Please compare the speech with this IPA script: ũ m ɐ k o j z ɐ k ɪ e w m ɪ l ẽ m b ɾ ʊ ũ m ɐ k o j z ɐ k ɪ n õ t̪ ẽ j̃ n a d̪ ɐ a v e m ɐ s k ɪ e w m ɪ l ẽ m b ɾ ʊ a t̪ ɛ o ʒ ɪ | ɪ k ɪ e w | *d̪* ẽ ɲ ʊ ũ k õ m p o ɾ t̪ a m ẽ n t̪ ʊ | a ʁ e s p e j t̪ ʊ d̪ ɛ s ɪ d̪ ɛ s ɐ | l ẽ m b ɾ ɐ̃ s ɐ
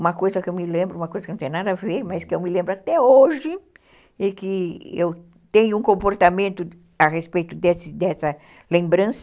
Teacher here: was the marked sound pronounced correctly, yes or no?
no